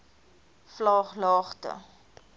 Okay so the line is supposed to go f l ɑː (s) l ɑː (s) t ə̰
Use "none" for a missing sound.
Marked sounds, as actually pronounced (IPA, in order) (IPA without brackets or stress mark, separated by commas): χ, χ